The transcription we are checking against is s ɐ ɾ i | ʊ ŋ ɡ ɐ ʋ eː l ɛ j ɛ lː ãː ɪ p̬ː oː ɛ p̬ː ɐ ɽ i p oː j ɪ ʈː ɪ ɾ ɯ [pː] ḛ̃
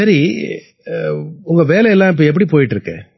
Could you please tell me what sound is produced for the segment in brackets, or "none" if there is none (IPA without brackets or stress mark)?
kː